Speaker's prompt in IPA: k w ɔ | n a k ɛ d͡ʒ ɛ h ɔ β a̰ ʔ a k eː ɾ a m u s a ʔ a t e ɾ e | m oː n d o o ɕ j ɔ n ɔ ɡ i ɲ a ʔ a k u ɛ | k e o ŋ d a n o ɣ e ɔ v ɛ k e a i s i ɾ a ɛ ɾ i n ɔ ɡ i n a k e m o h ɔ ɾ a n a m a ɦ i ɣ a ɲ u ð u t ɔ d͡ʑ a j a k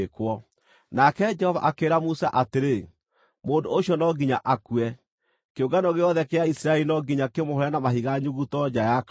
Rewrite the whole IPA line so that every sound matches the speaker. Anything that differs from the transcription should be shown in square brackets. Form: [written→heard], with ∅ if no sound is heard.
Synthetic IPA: k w ɔ | n a k ɛ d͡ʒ ɛ h ɔ [β→v] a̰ ʔ a k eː ɾ a m u s a ʔ a t e ɾ e | m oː n d o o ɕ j ɔ n ɔ ɡ i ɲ a ʔ a k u ɛ | k e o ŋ [d→ɡ] a n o ɣ e ɔ [v→ð] ɛ k e a i s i ɾ a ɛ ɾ i n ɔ ɡ i [n→ɲ] a k e m o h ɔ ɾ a n a m a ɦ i ɣ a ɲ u [ð→ɣ] u t ɔ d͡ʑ a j a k